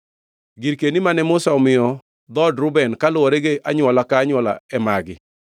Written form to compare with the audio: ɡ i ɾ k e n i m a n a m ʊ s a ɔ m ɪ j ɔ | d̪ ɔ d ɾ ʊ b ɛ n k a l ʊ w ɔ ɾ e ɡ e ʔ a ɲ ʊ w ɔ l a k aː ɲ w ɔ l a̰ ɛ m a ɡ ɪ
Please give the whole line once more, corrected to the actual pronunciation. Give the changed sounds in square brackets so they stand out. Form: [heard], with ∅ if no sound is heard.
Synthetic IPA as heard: ɡ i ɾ k e n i m a n [ɛ] m ʊ s a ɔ m ɪ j ɔ | d̪ ɔ d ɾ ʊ b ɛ n k a l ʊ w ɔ ɾ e ɡ e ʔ a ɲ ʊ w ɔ l a k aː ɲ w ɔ l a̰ ɛ m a ɡ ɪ